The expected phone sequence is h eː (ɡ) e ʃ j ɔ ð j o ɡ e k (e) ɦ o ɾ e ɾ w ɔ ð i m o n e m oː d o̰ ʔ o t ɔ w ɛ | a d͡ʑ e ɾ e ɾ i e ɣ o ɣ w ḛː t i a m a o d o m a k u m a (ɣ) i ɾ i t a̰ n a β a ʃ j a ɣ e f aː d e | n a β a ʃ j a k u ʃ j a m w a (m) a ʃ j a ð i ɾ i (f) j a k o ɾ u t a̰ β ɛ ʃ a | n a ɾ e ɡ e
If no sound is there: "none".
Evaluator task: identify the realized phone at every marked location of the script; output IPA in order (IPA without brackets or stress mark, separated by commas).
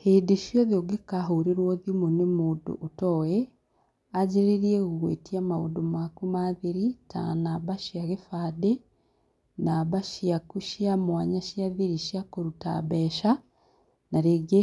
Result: d, a, ð, ɲ, ʃ